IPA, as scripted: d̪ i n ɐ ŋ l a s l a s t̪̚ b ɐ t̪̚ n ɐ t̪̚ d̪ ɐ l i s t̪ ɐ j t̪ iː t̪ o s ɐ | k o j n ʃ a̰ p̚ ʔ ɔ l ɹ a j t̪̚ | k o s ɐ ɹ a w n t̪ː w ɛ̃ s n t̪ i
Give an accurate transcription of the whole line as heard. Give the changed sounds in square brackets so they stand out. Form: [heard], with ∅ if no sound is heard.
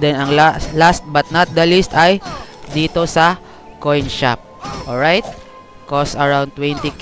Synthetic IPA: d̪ [ɛ] n ɐ ŋ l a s l a s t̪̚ b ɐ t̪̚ n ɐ t̪̚ d̪ ɐ l i s t̪ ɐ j [d̪] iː t̪ o s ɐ | k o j n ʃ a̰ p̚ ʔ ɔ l ɹ a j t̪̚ | k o s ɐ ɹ a w n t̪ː w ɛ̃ [∅] n t̪ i

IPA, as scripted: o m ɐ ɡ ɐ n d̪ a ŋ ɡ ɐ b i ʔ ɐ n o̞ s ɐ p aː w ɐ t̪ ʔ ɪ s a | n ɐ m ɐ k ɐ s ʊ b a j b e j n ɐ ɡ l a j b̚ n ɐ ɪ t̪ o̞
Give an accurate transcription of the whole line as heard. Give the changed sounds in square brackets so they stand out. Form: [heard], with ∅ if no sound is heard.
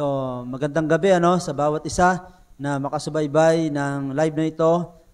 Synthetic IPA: o m ɐ ɡ ɐ n d̪ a ŋ ɡ ɐ b [ɛ] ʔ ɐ n o̞ s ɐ [b] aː w ɐ t̪ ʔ ɪ s a | n ɐ m ɐ k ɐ s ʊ b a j b [a] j n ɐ [ŋ] l a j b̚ n ɐ ɪ t̪ o̞

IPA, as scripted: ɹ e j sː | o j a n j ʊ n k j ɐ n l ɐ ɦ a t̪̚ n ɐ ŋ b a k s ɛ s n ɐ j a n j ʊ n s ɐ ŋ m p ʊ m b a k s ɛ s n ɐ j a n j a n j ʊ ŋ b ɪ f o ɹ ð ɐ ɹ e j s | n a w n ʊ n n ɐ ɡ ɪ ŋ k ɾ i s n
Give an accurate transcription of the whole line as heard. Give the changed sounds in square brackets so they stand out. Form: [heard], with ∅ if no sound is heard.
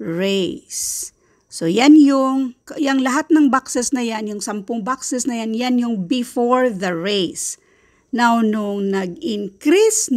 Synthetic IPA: ɹ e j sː | o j a n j ʊ [ŋ] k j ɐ [ŋ] l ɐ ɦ a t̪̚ n ɐ ŋ b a k s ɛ s n ɐ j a n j ʊ [ŋ] s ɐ [∅] m p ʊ [ŋ] b a k s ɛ s n ɐ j a n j a n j ʊ ŋ b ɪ f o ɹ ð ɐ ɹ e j s | n a w n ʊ [ŋ] n ɐ ɡ ɪ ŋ k ɾ i s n

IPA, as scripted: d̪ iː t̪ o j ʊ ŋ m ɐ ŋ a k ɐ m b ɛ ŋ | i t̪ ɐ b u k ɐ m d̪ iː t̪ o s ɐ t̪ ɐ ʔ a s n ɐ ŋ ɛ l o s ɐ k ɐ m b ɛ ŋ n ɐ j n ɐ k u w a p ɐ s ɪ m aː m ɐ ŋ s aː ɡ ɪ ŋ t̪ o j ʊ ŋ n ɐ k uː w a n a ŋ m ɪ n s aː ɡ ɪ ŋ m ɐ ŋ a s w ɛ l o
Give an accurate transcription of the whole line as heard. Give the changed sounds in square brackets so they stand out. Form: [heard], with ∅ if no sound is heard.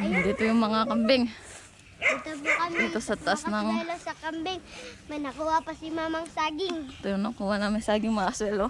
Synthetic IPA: d̪ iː t̪ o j ʊ ŋ m ɐ ŋ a k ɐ m b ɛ ŋ | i t̪ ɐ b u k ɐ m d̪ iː t̪ o s ɐ t̪ ɐ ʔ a s n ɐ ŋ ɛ l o s ɐ k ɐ m b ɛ ŋ [m] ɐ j n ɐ k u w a p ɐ s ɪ m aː m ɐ ŋ s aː ɡ ɪ ŋ t̪ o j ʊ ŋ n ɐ k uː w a n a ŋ m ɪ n s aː ɡ ɪ ŋ m ɐ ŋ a s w ɛ l o

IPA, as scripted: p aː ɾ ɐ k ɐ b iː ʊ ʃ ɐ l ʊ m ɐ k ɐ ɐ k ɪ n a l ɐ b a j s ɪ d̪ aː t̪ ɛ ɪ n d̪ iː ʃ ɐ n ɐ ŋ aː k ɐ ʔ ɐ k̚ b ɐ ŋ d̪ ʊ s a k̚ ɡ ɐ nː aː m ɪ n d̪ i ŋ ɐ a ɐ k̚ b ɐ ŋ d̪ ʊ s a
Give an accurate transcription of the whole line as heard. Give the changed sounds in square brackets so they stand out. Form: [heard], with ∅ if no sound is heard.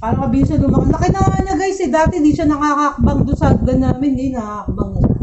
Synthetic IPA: p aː ɾ ɐ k ɐ b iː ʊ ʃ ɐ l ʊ m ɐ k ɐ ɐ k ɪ n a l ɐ [ɡ] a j s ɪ d̪ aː t̪ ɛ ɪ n d̪ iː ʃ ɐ n ɐ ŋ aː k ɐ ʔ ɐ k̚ b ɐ ŋ d̪ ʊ s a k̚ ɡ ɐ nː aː m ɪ n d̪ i [n] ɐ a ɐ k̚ b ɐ ŋ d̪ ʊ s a

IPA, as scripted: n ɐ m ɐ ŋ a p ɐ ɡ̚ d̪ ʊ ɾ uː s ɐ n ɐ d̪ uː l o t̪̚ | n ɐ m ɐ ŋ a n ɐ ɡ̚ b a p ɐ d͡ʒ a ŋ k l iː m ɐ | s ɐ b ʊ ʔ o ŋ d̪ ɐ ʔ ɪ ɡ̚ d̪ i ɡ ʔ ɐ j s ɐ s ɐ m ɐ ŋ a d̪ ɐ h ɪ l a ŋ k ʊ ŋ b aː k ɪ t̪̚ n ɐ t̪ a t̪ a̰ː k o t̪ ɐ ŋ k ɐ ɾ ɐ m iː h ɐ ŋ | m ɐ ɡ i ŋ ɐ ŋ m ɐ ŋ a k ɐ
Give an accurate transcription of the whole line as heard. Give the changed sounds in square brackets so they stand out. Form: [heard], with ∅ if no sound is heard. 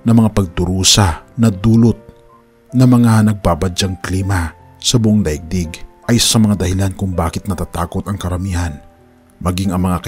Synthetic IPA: n ɐ m ɐ ŋ a p ɐ ɡ̚ d̪ ʊ ɾ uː s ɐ n ɐ d̪ uː l o t̪̚ | n ɐ m ɐ ŋ a n ɐ ɡ̚ b a [b] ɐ d͡ʒ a ŋ k l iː m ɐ | s ɐ b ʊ ʔ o ŋ d̪ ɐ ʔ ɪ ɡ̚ d̪ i ɡ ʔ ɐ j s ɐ s ɐ m ɐ ŋ a d̪ ɐ h ɪ l a [n] k ʊ ŋ b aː k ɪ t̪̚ n ɐ t̪ a t̪ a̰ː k o t̪ ɐ ŋ k ɐ ɾ ɐ m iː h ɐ [n] | m ɐ ɡ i ŋ ɐ ŋ m ɐ ŋ a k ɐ

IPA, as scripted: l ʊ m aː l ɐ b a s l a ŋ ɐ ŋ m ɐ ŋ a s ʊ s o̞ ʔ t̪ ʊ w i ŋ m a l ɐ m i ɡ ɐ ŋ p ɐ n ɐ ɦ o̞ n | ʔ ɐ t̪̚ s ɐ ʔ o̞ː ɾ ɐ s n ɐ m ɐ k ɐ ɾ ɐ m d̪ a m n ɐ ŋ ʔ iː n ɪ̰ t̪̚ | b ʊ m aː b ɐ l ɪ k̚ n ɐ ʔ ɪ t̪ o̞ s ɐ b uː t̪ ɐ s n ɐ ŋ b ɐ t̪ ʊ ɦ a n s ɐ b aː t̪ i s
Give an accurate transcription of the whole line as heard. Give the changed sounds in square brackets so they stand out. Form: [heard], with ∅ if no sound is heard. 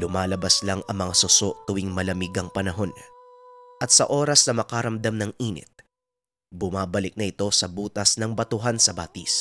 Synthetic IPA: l ʊ m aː l ɐ b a s l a ŋ ɐ ŋ m ɐ ŋ a s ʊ s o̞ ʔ t̪ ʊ w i ŋ m [ɐ] l ɐ m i ɡ ɐ ŋ p ɐ n ɐ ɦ o̞ n | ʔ ɐ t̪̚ s ɐ ʔ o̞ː ɾ ɐ s n ɐ m ɐ k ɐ ɾ ɐ m d̪ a m n ɐ ŋ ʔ iː n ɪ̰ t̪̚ | b ʊ m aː b ɐ l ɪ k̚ n ɐ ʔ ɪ t̪ o̞ s ɐ b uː t̪ ɐ s n ɐ ŋ b ɐ t̪ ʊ ɦ a n s ɐ b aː t̪ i s

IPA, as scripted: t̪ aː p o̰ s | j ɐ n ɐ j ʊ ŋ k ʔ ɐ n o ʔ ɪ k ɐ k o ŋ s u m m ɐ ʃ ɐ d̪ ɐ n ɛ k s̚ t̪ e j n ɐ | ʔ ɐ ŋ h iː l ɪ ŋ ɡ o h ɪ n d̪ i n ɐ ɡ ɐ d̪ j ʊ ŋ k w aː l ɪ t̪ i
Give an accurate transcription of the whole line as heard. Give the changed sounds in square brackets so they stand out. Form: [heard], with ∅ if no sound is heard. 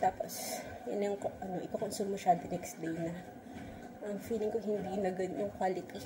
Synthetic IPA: t̪ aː p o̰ s | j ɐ n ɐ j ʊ ŋ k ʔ ɐ n o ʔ ɪ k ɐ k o [n] s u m m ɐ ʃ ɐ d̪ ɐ n ɛ k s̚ [d̪] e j n ɐ | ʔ ɐ ŋ [f] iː l ɪ ŋ [k] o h ɪ n d̪ i n ɐ ɡ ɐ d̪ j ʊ ŋ k w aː l ɪ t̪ i

